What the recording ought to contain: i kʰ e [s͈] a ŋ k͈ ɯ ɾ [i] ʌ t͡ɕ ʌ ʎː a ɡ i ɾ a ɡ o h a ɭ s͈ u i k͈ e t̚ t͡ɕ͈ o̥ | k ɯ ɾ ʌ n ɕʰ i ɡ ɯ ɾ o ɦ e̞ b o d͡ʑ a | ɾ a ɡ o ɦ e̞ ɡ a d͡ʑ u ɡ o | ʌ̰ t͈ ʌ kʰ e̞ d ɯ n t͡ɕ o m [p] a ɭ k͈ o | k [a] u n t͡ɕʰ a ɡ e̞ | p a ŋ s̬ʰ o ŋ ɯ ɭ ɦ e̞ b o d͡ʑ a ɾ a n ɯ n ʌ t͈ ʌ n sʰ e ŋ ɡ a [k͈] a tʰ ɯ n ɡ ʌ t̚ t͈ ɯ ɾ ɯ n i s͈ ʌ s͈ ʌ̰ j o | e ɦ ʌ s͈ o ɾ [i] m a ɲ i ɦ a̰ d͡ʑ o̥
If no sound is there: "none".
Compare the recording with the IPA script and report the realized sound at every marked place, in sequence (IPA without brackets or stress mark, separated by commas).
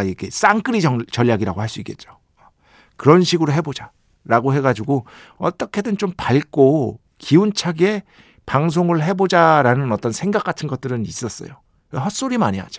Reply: s͈, i, p, i, k͈, i